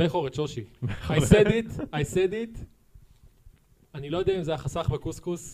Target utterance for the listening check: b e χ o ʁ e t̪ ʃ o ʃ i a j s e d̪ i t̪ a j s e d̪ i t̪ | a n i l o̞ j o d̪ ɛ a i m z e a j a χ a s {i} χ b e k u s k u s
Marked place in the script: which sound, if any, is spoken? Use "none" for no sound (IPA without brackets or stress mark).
a